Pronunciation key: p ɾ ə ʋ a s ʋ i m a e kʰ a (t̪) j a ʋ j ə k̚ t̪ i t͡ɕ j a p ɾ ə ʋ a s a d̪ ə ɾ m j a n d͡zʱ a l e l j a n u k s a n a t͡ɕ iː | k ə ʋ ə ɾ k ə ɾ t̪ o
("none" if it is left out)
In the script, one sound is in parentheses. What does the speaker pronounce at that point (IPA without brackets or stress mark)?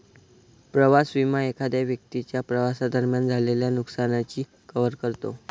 d̪